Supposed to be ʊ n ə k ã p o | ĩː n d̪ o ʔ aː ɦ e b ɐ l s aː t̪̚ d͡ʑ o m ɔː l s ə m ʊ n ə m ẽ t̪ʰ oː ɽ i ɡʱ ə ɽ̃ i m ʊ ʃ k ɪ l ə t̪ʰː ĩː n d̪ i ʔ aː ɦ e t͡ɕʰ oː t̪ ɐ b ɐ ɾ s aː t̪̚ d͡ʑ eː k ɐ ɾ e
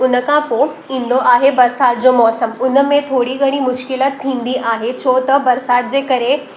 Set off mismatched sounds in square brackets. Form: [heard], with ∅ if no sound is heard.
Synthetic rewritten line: ʊ n ə k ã p o | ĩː n d̪ o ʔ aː ɦ e b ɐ [ɾ] s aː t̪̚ d͡ʑ o m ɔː [∅] s ə m ʊ n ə m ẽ t̪ʰ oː ɽ i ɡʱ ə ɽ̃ i m ʊ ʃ k ɪ l ə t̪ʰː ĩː n d̪ i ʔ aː ɦ e t͡ɕʰ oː t̪ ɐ b ɐ ɾ s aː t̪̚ d͡ʑ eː k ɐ ɾ e